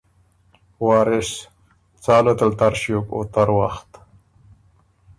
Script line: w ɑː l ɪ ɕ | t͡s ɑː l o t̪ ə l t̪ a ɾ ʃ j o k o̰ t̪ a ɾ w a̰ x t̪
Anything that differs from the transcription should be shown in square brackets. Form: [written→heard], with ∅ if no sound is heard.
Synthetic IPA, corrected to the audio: w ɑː [l→ɾ] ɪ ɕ | t͡s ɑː l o t̪ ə l t̪ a ɾ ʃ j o k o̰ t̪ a ɾ w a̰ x t̪